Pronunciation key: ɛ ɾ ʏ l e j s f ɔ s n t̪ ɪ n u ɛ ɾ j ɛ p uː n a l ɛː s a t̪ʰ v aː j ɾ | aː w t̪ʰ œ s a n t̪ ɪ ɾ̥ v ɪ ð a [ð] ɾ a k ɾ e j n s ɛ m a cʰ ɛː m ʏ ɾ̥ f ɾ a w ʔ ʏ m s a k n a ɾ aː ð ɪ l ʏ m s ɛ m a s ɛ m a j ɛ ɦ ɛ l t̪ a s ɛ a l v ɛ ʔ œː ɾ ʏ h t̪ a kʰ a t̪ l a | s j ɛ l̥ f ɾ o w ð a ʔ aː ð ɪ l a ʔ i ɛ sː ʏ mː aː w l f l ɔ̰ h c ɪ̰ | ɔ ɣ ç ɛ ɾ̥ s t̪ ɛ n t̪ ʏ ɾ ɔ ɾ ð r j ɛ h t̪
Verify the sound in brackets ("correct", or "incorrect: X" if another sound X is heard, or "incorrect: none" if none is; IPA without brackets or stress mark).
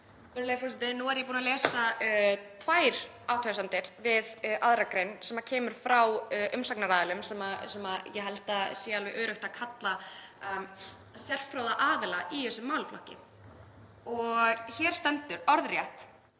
correct